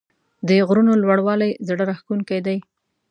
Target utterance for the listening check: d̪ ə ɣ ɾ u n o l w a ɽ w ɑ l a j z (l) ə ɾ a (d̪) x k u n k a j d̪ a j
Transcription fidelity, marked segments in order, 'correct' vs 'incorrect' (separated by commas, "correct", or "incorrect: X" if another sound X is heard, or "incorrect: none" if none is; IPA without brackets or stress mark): incorrect: ɽ, incorrect: none